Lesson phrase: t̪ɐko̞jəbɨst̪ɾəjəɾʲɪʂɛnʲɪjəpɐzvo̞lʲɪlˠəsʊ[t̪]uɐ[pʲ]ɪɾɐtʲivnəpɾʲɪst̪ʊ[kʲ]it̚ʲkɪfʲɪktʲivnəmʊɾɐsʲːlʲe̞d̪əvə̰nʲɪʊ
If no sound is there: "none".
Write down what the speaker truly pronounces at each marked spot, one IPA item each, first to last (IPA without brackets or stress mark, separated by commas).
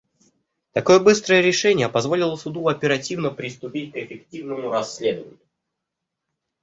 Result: d̪, pʲ, pʲ